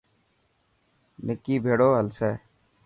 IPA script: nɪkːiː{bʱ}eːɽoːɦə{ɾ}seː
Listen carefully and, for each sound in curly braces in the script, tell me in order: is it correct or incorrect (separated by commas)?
correct, incorrect